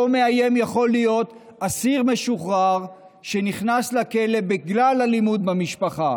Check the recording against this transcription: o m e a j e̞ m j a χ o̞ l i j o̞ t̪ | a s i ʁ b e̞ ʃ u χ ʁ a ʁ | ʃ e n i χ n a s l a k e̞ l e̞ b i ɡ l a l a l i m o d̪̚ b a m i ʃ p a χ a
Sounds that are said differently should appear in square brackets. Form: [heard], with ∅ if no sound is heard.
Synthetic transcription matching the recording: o m e a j e̞ m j a χ o̞ l i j o̞ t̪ | a s i ʁ [m] e̞ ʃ u χ ʁ a ʁ | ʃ e n i χ n a s l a k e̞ l e̞ b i ɡ l a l a l i m [u] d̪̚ b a m i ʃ p a χ a